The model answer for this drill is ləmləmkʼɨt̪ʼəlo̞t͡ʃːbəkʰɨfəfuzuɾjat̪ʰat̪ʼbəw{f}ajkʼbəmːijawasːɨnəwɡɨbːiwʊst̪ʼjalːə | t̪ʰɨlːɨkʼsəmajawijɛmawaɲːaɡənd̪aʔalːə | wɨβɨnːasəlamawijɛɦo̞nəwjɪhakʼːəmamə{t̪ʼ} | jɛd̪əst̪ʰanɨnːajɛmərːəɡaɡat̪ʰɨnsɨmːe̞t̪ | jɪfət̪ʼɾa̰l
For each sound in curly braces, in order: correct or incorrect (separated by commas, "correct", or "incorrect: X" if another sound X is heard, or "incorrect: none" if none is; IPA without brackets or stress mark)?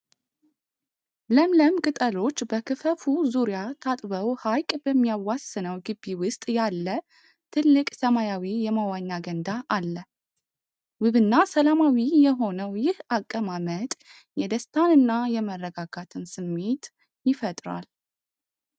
incorrect: h, correct